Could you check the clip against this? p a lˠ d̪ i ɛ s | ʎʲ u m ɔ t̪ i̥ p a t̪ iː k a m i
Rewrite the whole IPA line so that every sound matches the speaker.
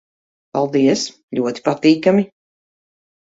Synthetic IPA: p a lˠ d̪ i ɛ s | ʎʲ u ɔ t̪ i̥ p a t̪ iː k a m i

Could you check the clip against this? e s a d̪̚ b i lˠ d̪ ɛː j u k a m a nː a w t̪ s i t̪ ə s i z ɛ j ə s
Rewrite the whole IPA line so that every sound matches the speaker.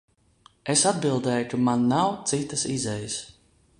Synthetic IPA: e s a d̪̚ b i lˠ d̪ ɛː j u k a m a nː a w t̪ s i t̪ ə s i z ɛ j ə s

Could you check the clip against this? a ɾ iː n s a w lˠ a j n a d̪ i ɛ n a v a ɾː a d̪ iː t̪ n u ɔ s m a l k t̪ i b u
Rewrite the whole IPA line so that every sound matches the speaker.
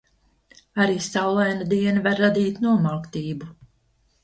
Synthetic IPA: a ɾ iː s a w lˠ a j n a d̪ i ɛ n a v a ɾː a d̪ iː t̪ n u ɔ m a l k t̪ iː b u

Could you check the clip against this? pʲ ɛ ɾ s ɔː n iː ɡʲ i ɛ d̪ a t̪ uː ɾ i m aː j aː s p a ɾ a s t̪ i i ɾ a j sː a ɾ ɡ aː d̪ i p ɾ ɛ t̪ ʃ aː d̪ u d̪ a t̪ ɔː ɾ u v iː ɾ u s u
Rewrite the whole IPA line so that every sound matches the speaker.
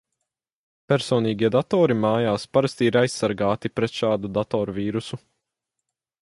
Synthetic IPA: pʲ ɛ ɾ s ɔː n iː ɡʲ i ɛ d̪ a t̪ ɔː ɾ i m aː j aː s p a ɾ a s t̪ i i ɾ a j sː a ɾ ɡ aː t̪ i p ɾ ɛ t̪ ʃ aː d̪ u d̪ a t̪ ɔː ɾ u v iː ɾ u s u

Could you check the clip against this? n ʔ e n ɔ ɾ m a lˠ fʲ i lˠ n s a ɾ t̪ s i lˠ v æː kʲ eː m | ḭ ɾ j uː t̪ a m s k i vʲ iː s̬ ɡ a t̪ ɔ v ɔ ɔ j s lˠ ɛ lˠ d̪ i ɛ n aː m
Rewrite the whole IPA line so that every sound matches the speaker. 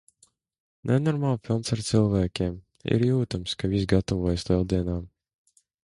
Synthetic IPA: n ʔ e n ɔ ɾ m a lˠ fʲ i lˠ n s a ɾ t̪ s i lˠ v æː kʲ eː m | ḭ ɾ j uː t̪ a m s k a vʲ i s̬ ɡ a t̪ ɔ v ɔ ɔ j s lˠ ɛ lˠ d̪ i ɛ n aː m

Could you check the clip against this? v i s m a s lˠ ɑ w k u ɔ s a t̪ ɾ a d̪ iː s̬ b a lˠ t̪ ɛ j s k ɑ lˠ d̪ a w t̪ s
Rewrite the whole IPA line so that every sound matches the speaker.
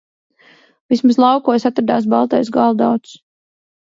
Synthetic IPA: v i s m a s lˠ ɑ w k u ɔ s a t̪ ɾ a d̪ aː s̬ b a lˠ t̪ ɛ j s ɡ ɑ lˠ d̪ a w t̪ s

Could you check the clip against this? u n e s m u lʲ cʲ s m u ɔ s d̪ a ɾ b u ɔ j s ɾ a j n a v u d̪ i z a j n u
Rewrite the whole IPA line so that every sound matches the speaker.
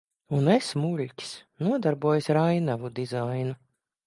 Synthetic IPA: u n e s m u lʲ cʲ s n u ɔ d̪ a ɾ b u ɔ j s ɾ a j n a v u d̪ i z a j n u

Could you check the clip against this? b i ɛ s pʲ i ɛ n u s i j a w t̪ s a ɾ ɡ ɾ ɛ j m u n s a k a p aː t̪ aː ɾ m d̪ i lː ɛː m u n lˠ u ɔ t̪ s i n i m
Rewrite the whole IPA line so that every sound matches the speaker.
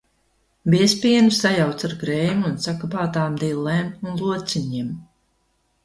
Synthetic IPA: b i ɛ s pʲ i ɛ n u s a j a w t̪ s a ɾ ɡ ɾ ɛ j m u n s a k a p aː t̪ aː m d̪ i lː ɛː m u n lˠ u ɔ t̪ s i ɲ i m

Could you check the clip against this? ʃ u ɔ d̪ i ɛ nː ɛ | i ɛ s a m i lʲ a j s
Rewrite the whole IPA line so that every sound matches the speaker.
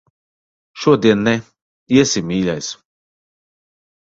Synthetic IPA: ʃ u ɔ d̪ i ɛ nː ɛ | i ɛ s i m iː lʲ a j s

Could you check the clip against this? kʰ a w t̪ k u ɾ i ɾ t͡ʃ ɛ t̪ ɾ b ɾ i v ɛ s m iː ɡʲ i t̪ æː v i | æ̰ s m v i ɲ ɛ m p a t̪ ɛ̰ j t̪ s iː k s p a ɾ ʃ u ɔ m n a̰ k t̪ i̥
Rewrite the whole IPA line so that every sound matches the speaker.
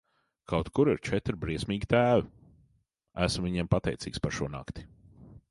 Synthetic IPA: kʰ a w t̪ k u ɾ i ɾ t͡ʃ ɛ t̪ ɾ b ɾ i ɛ s m iː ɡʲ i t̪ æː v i | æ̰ s m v i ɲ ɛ m p a t̪ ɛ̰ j t̪ s iː k s p a ɾ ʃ u ɔ n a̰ k t̪ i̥

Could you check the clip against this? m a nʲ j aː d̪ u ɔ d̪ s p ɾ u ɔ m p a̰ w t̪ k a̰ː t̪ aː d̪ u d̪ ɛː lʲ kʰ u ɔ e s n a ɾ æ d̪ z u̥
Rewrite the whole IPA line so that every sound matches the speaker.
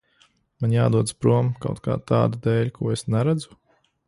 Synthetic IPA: m a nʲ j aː d̪ u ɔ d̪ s p ɾ u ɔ m k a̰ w t̪ k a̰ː t̪ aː d̪ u d̪ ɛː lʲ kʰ u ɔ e s n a ɾ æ d̪ z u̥

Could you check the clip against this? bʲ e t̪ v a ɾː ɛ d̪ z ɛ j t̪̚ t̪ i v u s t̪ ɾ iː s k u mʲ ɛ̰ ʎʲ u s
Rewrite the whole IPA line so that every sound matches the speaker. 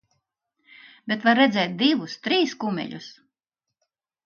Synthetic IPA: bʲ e t̪ v a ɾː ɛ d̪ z ɛ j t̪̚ d̪ i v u s t̪ ɾ iː s k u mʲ ɛ̰ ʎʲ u s

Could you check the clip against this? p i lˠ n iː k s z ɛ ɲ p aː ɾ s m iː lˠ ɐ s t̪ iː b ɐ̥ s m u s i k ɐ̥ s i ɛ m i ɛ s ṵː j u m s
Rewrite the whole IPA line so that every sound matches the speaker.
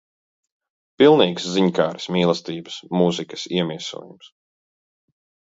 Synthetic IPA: p i lˠ n iː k s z i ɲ k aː ɾ s m iː lˠ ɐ s t̪ iː b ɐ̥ s m u z i k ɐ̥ s i ɛ m i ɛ s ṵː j u m s

